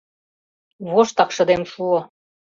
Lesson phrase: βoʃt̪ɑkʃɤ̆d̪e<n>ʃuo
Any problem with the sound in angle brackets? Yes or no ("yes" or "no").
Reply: yes